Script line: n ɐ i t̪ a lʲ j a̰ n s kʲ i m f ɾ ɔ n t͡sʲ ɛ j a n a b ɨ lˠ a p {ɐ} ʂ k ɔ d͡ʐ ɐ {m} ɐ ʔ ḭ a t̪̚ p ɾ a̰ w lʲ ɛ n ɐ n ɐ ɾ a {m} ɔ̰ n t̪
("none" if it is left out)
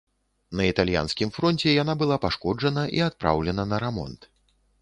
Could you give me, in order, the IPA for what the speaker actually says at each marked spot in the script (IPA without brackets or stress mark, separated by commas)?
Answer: a, n, m